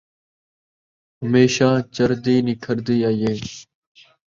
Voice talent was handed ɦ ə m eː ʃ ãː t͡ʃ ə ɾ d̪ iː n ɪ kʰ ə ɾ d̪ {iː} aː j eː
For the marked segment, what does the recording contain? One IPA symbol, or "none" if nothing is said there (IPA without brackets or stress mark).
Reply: iː